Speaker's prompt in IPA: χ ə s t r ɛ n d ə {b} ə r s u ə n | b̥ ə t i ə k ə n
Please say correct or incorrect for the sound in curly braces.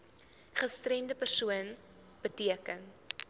incorrect